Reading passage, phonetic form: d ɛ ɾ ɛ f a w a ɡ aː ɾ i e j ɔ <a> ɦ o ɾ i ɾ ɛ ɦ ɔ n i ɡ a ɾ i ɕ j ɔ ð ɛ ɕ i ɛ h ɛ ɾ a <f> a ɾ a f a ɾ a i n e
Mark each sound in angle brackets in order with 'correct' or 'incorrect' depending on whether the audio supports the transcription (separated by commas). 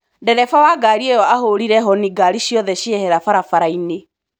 correct, correct